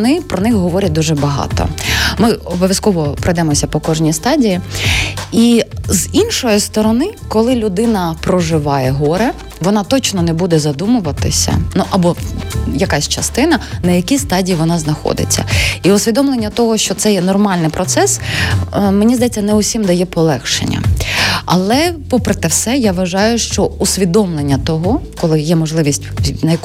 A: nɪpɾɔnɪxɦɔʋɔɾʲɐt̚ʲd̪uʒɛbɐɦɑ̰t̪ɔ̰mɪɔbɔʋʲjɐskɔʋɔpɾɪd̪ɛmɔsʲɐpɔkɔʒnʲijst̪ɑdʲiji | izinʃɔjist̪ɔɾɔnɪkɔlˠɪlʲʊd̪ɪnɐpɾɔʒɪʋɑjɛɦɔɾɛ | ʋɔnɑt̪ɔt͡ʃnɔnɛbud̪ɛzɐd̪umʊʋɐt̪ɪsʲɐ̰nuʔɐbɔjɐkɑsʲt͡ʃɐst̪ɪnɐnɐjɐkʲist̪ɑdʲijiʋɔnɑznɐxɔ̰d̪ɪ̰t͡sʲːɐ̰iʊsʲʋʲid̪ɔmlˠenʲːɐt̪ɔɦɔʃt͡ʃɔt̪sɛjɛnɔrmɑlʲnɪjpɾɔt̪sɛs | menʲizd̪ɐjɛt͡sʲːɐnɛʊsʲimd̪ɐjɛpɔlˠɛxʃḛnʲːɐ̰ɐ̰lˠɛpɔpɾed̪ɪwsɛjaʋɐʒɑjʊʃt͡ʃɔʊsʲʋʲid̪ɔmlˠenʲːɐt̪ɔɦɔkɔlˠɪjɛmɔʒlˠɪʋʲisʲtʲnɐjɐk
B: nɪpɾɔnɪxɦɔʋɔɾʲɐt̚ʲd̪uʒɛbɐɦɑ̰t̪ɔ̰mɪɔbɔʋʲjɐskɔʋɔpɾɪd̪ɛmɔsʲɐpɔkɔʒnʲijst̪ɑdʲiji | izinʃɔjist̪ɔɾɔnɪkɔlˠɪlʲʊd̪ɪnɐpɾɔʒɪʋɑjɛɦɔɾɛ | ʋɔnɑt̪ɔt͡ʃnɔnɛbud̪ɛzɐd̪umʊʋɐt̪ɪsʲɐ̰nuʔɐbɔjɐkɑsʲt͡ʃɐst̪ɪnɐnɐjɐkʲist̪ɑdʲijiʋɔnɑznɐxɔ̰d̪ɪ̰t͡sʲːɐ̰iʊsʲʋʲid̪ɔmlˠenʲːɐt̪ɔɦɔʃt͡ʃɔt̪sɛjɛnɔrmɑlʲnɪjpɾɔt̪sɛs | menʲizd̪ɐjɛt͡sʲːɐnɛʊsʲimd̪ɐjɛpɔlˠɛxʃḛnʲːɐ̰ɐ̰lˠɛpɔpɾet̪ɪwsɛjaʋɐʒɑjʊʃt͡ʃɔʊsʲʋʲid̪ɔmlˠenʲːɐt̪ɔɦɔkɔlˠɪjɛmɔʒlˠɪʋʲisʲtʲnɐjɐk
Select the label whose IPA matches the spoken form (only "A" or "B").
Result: B